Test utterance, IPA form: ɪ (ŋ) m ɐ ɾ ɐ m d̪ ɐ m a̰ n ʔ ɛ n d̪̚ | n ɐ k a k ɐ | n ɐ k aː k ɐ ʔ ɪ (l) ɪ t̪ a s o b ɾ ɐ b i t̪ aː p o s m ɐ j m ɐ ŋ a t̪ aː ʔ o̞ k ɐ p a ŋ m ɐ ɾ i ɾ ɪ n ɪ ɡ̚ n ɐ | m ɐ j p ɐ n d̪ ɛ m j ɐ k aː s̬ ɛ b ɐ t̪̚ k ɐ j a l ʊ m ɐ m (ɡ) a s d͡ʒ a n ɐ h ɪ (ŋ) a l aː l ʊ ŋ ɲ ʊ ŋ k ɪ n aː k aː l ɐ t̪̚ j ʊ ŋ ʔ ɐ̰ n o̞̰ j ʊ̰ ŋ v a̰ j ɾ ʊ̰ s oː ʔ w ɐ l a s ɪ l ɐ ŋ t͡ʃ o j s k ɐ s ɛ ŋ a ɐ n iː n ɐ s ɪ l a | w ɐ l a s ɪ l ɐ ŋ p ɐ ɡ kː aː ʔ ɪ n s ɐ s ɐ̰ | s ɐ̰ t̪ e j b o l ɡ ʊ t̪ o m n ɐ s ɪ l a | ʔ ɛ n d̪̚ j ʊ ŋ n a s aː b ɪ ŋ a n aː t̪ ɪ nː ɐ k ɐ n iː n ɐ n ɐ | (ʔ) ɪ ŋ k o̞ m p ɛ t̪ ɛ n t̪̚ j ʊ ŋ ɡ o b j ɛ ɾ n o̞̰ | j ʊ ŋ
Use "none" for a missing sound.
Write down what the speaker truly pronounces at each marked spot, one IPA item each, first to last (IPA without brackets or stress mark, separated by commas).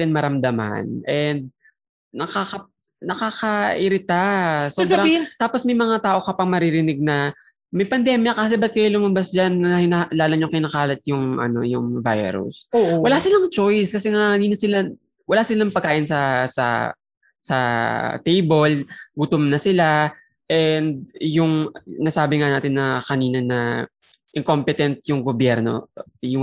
n, ɾ, b, n, ʔ